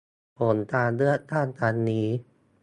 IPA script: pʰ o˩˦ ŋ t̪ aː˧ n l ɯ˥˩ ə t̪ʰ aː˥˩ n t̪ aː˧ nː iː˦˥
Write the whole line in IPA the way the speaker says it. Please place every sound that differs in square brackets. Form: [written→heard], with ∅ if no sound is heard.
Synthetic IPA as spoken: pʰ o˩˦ [ŋ→n] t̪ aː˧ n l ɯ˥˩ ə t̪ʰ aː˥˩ n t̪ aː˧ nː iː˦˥